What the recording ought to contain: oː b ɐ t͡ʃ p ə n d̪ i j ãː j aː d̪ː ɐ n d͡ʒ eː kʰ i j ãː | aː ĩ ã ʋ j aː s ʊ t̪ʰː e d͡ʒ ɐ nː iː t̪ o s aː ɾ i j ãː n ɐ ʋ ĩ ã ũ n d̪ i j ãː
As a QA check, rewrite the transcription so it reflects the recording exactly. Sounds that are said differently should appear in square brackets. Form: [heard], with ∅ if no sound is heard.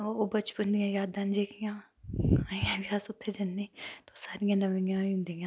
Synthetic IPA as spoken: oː b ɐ t͡ʃ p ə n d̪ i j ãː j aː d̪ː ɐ n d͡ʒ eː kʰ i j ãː | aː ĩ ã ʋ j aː s ʊ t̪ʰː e d͡ʒ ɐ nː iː t̪ o s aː ɾ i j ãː n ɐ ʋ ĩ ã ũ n d̪ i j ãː